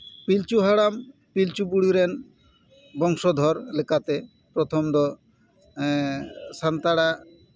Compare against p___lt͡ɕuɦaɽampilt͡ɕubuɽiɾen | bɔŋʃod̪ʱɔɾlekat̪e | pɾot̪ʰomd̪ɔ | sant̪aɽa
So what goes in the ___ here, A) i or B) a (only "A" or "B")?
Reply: A